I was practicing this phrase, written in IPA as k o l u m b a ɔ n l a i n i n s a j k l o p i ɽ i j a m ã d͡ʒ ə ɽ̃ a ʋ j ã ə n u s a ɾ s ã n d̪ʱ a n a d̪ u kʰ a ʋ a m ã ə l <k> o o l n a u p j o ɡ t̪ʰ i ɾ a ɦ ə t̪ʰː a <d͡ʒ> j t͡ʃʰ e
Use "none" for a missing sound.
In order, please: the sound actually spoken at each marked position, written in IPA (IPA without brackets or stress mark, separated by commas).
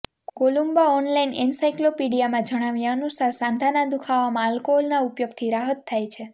k, none